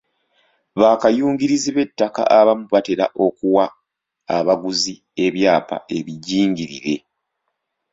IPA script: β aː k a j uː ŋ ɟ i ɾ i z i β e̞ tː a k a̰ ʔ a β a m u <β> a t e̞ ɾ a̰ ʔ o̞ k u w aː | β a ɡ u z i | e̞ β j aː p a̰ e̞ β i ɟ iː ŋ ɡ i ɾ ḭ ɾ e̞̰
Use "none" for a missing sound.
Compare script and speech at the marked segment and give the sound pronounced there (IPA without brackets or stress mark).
β